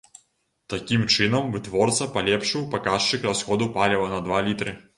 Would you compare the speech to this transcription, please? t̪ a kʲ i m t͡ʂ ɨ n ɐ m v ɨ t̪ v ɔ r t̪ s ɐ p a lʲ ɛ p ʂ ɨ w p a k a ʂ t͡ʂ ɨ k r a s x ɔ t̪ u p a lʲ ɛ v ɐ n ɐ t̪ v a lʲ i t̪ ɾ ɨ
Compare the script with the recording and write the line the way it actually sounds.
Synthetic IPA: t̪ a kʲ i m t͡ʂ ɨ n ɐ m v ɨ t̪ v ɔ r t̪ s ɐ p a lʲ ɛ p ʂ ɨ w p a k a ʂ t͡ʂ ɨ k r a s x ɔ d̪ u p a lʲ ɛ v ɐ n ɐ d̪ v a lʲ i t̪ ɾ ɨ